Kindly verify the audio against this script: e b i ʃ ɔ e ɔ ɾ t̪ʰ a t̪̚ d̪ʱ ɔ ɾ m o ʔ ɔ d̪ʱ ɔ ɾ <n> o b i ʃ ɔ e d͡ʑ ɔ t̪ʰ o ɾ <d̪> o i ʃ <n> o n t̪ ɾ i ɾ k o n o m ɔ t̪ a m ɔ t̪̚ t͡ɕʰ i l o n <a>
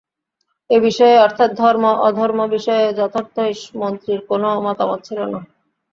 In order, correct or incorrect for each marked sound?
incorrect, incorrect, incorrect, correct

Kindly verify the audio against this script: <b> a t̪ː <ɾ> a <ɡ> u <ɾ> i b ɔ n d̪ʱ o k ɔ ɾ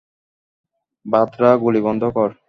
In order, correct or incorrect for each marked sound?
correct, correct, correct, incorrect

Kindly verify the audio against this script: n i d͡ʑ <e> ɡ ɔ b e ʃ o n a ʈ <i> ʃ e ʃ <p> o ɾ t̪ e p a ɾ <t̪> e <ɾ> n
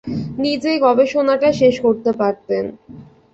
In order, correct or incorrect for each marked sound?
correct, incorrect, incorrect, correct, incorrect

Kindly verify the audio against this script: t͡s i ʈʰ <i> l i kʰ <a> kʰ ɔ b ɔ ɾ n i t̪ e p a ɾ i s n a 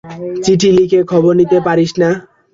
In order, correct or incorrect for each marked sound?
correct, incorrect

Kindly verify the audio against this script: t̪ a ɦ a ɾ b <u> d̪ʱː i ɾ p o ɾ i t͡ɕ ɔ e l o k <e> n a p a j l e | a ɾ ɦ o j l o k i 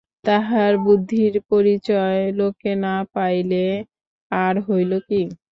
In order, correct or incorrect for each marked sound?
correct, correct

